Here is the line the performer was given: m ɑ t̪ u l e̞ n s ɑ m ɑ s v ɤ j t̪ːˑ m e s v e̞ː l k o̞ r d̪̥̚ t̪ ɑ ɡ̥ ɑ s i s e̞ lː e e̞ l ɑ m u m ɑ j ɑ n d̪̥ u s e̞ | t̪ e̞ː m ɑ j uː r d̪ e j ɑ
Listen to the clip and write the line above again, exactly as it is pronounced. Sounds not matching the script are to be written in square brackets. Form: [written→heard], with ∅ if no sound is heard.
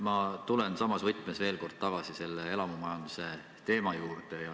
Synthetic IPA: m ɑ t̪ u l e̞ n s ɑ m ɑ s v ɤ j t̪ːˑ m e s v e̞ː l k o̞ r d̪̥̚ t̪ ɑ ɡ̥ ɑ s i s e̞ lː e e̞ l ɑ m u m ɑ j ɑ n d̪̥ u s e̞ | t̪ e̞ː m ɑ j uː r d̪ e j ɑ